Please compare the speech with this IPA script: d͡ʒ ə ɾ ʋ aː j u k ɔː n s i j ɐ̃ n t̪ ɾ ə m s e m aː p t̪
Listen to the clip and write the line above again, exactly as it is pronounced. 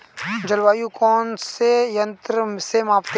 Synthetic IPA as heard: d͡ʒ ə l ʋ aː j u k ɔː n s e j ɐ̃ n t̪ ɾ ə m s e m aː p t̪